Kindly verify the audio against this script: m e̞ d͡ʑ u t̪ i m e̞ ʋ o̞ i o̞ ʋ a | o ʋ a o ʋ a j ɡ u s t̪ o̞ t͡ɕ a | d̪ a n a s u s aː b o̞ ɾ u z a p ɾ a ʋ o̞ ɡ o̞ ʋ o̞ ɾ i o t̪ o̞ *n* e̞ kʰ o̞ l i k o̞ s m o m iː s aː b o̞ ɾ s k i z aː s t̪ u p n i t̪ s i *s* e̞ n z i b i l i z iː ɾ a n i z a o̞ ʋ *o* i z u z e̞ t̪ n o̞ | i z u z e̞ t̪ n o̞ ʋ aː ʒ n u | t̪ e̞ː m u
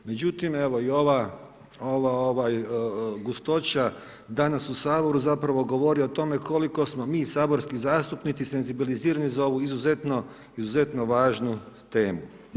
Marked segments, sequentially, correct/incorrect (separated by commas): incorrect, correct, incorrect